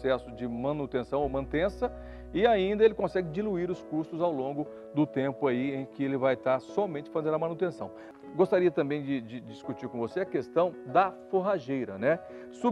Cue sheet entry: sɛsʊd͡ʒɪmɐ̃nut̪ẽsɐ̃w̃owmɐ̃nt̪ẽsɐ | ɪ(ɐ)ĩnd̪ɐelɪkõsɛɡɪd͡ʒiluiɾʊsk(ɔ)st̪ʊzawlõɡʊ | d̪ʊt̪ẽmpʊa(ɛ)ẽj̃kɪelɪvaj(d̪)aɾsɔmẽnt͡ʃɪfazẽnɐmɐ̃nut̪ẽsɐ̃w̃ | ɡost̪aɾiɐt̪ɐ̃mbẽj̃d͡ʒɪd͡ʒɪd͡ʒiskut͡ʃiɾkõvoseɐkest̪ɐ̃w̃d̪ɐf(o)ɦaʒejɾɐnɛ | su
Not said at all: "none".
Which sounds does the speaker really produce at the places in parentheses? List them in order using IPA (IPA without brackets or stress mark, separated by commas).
a, u, i, t̪, o